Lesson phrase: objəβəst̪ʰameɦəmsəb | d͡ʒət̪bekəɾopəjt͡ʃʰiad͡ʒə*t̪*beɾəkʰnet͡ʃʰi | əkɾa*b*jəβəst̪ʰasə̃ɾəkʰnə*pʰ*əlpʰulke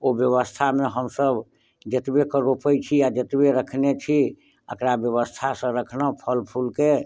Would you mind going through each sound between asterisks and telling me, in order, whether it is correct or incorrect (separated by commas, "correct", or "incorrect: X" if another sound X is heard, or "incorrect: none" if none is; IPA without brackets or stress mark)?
correct, correct, correct